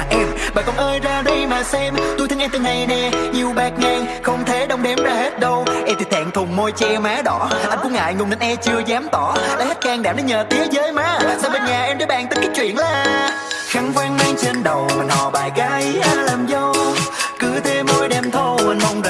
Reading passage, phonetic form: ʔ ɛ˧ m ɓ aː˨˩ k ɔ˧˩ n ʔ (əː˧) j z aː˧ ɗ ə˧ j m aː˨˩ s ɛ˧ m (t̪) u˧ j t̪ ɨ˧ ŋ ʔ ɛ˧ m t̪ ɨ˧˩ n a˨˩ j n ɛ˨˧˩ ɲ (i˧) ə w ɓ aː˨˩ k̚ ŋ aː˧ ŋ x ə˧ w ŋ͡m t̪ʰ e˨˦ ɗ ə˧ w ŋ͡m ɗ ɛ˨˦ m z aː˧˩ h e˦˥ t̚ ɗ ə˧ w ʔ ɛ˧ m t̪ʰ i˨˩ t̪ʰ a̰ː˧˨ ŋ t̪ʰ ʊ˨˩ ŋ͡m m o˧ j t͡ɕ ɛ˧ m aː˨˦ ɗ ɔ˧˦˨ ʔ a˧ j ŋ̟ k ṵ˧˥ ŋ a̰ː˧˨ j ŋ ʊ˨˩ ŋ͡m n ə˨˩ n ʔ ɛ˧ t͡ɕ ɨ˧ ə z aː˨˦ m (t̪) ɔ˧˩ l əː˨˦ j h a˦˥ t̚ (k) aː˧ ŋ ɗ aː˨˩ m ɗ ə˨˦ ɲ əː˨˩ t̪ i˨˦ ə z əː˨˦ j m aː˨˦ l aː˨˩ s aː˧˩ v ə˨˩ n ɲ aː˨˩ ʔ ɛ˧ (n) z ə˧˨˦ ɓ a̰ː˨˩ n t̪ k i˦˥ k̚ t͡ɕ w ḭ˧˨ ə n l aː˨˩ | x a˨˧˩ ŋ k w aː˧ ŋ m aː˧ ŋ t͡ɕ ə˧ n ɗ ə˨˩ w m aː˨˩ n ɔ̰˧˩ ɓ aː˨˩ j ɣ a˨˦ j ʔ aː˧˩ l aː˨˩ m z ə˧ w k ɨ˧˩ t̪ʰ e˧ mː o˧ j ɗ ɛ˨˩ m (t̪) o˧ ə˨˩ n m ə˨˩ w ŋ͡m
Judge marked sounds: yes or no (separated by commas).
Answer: yes, yes, no, yes, yes, no, no